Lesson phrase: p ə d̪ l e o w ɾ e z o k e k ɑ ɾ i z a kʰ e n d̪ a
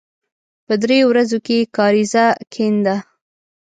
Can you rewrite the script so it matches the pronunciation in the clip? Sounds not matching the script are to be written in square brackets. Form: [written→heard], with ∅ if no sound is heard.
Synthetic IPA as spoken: p ə d̪ [l→ɾ] e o w ɾ [e→a] z o k e k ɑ ɾ i z a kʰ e n d̪ a